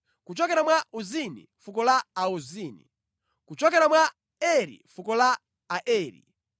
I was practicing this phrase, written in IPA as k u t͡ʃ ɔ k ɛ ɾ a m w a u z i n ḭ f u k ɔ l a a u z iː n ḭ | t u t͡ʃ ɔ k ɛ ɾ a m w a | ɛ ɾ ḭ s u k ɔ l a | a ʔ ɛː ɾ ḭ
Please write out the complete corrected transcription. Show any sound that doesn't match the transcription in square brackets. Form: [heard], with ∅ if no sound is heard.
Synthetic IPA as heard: k u t͡ʃ ɔ k ɛ ɾ a m w a u z i n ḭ f u k ɔ l a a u z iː n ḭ | [k] u t͡ʃ ɔ k ɛ ɾ a m w a | ɛ ɾ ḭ [f] u k ɔ l a | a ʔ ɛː ɾ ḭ